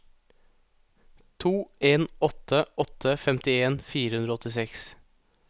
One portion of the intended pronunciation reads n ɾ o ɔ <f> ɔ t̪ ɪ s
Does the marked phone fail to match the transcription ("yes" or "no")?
yes